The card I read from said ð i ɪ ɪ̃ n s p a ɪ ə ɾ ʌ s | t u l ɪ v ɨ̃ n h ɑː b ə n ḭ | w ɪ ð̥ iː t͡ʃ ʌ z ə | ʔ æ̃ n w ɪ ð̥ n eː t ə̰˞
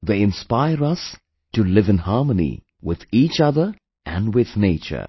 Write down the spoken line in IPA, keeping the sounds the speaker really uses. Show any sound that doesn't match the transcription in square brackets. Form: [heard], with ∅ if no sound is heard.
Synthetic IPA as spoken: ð [e] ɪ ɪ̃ n s p a ɪ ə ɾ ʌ s | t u l ɪ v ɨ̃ n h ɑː [m] ə n ḭ | w ɪ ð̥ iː t͡ʃ ʌ [ð] ə | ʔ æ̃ n w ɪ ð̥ n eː [t͡ʃ] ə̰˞